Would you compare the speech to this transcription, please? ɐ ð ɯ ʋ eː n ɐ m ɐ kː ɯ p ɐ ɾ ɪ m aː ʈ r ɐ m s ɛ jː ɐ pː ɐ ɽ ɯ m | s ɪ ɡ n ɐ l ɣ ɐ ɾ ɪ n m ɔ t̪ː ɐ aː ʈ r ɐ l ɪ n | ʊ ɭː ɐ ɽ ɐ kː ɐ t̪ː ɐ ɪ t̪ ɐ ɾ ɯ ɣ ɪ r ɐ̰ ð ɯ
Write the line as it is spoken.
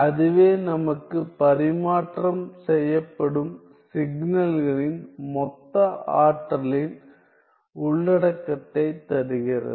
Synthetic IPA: ɐ ð ɯ ʋ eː n ɐ m ɐ kː ɯ p ɐ ɾ ɪ m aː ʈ r ɐ m s ɛ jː ɐ pː ɐ ɽ ɯ m | s ɪ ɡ n ɐ l ɣ ɐ ɭ ɪ n m ɔ t̪ː ɐ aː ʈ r ɐ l ɪ n | ʊ ɭː ɐ ɽ ɐ kː ɐ t̪ː ɐ ɪ t̪ ɐ ɾ ɯ ɣ ɪ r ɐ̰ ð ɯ